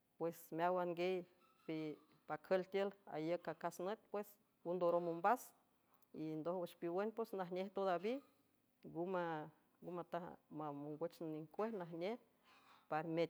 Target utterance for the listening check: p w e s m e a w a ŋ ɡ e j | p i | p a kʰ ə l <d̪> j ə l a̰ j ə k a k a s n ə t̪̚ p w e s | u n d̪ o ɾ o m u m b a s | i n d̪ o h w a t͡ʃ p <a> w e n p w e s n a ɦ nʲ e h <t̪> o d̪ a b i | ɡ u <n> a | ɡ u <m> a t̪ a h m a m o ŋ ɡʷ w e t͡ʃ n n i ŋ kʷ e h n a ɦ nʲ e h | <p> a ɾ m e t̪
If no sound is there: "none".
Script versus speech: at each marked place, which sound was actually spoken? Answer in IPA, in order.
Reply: t̪, i, t̪, m, m, p

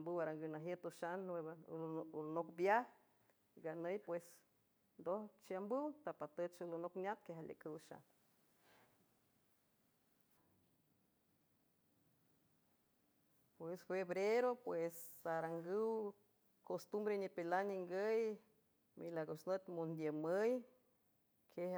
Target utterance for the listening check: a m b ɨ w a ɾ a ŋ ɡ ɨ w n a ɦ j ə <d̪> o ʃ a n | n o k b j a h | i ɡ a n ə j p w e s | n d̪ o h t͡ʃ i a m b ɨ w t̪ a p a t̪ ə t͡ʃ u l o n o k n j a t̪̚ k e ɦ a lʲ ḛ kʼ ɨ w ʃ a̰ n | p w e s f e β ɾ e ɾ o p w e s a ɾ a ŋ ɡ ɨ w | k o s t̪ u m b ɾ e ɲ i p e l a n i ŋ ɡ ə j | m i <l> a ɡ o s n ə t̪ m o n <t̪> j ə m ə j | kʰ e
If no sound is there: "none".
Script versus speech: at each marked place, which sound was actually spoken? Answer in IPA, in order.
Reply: t̪, l, d̪

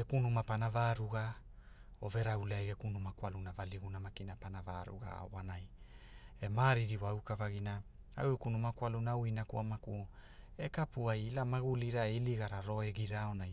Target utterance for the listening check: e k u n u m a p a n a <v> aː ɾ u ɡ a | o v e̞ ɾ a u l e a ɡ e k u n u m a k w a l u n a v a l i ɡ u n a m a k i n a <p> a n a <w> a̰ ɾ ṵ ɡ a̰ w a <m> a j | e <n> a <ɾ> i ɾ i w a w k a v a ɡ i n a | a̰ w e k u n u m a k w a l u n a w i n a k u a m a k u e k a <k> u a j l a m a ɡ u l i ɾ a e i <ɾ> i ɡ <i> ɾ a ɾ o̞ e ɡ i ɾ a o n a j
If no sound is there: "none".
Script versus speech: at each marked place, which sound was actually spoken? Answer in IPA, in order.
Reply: v, p, v, n, m, ɾ, p, l, a

